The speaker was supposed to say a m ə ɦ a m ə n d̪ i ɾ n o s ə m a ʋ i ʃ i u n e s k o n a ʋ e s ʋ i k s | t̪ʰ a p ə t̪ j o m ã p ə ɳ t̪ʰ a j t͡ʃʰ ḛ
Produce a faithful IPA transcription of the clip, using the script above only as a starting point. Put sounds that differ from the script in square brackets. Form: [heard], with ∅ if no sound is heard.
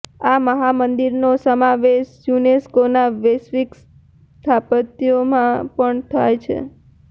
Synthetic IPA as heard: a m ə ɦ a m ə n d̪ i ɾ n o s ə m a ʋ [e] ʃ [j] u n e s k o n a ʋ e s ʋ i k s | t̪ʰ a p ə t̪ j o m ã p ə ɳ t̪ʰ a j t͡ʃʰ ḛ